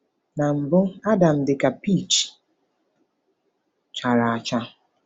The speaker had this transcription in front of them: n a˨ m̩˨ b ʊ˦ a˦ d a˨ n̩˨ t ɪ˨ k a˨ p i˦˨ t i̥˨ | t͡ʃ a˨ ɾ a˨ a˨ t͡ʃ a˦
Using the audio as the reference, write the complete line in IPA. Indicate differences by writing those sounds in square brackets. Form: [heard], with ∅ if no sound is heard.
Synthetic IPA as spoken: n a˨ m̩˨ b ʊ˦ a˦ d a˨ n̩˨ [d] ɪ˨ k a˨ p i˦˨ [t͡ʃ] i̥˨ | t͡ʃ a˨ ɾ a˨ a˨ t͡ʃ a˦

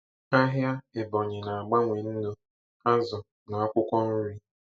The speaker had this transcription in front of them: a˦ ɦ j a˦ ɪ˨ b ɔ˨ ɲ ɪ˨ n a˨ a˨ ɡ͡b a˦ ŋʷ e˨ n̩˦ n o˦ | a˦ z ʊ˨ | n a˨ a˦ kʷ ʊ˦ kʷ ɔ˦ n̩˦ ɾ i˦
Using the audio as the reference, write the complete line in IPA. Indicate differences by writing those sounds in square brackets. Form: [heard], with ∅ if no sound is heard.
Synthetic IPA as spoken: a˦ ɦ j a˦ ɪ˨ b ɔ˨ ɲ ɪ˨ n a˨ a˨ ɡ͡b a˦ ŋʷ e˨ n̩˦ n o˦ | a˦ z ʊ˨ | n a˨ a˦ kʷ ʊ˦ kʷ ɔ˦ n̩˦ ɾ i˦

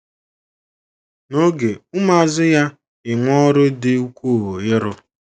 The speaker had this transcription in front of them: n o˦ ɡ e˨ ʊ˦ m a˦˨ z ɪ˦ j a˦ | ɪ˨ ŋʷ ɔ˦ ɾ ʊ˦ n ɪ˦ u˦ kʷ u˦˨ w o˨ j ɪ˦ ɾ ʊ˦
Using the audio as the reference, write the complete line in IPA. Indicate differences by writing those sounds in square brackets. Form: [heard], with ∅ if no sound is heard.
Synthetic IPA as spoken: n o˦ ɡ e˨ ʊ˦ m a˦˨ z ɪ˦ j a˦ | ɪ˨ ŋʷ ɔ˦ ɾ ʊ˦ [d] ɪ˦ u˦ kʷ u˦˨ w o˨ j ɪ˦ ɾ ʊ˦

